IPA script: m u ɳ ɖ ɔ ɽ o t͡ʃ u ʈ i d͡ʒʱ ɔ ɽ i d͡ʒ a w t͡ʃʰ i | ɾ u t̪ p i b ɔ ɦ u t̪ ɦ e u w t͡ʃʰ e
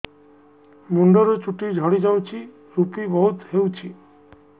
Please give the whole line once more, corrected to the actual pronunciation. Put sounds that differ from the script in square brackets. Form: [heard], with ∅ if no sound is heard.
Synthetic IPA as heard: m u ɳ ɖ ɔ [ɾ] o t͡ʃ u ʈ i d͡ʒʱ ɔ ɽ i d͡ʒ a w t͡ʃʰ i | ɾ u [∅] p i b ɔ ɦ u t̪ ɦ e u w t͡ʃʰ [i]